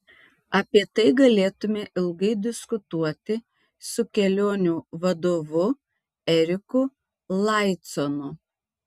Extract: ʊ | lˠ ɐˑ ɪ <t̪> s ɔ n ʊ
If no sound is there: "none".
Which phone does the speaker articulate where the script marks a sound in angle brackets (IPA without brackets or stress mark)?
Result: t̪